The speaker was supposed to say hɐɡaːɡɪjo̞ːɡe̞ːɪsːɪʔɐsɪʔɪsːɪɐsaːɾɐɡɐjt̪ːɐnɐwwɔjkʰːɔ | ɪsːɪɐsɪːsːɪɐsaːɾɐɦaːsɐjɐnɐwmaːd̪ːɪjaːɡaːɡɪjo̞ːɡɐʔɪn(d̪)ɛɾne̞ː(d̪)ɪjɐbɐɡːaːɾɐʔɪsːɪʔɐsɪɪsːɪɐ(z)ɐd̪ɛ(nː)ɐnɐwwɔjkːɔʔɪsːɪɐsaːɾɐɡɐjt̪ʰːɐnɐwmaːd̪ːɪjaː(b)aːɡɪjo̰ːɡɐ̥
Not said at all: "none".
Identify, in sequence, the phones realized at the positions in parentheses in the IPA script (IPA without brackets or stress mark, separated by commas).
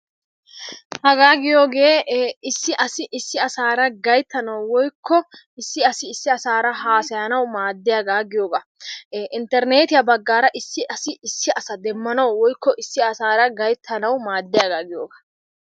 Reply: t̪, t̪, s, mː, ɡ